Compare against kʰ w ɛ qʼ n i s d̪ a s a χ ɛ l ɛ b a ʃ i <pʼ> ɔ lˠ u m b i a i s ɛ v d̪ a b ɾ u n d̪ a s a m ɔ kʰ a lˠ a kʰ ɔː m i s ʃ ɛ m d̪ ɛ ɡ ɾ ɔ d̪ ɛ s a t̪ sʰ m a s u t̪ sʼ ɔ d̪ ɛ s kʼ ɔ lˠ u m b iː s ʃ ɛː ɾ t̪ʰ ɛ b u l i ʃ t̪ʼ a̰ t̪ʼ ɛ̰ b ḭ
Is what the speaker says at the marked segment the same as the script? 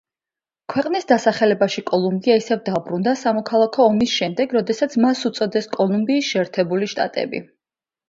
no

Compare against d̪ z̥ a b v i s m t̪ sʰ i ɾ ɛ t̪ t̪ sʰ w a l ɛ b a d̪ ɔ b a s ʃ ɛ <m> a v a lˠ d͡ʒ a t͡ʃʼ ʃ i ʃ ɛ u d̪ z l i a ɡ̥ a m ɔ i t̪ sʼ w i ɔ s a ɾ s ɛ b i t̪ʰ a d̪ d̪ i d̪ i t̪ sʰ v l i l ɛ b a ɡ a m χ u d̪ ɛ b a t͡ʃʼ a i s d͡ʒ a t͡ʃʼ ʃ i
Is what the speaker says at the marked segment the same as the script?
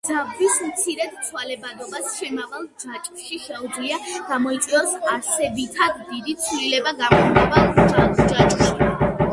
yes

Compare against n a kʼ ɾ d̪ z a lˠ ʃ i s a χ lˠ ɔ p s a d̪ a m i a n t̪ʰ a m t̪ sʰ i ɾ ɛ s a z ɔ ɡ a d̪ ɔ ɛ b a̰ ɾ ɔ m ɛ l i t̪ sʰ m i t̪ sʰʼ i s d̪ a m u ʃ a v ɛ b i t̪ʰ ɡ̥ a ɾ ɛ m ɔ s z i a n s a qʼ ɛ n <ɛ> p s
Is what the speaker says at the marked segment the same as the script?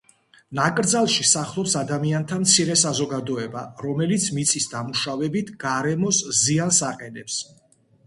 yes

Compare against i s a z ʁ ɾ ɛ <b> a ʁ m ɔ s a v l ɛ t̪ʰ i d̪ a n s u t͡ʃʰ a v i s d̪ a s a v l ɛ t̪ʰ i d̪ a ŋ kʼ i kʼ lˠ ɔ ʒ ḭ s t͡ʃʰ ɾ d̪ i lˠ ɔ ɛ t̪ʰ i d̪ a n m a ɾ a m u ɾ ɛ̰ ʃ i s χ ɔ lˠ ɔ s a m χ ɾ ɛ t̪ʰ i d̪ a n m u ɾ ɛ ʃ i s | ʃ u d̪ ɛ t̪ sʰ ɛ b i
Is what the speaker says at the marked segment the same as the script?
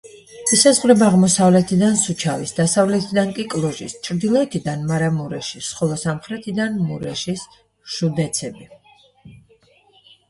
yes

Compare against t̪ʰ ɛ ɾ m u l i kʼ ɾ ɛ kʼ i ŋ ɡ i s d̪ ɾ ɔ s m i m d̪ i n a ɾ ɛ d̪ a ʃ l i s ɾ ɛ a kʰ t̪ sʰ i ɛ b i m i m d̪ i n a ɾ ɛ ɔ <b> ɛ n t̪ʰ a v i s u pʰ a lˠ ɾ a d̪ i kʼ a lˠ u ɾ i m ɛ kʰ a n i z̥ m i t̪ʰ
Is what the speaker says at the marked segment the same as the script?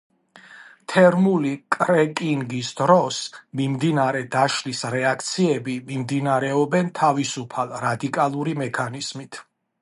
yes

